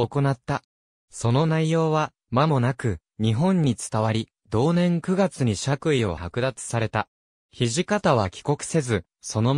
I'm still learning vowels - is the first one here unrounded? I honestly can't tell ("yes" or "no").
no